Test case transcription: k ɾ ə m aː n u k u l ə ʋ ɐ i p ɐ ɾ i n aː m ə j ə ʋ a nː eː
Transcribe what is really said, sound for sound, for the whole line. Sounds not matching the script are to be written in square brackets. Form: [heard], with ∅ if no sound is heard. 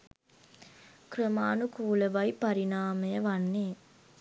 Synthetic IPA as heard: k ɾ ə m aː n u k [uː] l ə ʋ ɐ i p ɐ ɾ i n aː m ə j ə ʋ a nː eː